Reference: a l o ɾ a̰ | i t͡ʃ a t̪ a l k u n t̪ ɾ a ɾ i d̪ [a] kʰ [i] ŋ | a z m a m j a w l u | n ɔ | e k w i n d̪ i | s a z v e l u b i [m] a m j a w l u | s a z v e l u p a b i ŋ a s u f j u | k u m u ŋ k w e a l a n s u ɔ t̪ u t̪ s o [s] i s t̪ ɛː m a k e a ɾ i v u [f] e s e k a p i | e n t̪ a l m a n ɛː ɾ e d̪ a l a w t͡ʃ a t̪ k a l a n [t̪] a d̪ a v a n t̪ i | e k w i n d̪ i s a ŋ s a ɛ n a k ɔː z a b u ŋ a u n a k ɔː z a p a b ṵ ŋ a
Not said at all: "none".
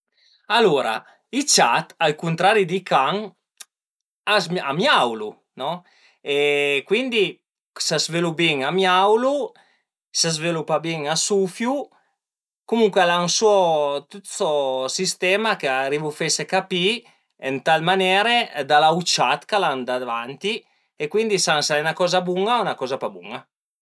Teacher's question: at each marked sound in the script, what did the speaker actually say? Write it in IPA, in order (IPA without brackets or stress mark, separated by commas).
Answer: i, a, ŋ, s, f, d̪